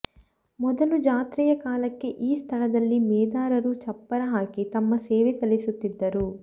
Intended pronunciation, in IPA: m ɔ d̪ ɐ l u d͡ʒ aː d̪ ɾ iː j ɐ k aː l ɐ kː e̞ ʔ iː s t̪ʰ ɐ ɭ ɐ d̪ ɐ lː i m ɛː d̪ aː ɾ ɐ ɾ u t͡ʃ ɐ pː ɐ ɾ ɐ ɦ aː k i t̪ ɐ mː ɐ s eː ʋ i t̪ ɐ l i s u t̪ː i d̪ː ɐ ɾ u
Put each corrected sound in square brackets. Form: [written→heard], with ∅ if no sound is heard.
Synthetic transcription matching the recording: m ɔ d̪ ɐ l u d͡ʒ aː [d̪→t̪] ɾ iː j ɐ k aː l ɐ kː e̞ ʔ iː s t̪ʰ ɐ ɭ ɐ d̪ ɐ lː i m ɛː d̪ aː ɾ ɐ ɾ u t͡ʃ ɐ pː ɐ ɾ ɐ ɦ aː k i t̪ ɐ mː ɐ s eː ʋ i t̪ ɐ l i s u t̪ː i d̪ː ɐ ɾ u